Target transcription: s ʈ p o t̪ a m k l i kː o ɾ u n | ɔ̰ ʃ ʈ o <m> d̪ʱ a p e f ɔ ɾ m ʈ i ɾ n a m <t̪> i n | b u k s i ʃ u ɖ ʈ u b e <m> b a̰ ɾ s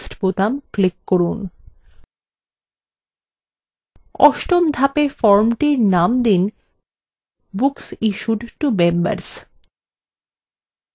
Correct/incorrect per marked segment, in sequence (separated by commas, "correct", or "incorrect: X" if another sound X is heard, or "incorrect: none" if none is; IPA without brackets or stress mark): correct, incorrect: d̪, correct